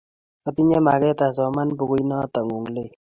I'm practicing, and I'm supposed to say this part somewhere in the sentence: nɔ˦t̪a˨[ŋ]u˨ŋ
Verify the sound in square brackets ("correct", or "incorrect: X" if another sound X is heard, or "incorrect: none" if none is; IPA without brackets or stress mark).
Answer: correct